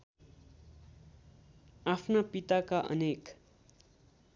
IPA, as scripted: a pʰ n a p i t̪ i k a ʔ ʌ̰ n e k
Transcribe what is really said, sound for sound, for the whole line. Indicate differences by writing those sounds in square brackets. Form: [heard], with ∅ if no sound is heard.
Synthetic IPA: a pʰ n a p i t̪ [a] k a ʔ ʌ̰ n e k